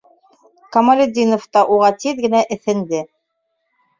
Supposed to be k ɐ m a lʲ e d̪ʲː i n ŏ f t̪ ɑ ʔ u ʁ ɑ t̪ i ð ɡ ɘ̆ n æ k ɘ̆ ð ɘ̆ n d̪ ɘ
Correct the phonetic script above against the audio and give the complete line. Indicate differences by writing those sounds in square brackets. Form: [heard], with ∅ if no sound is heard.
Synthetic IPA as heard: k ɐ m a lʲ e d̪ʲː i n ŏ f t̪ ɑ ʔ u ʁ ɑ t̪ i ð ɡ ɘ̆ n æ [ʔ] ɘ̆ [θ] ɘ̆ n d̪ ɘ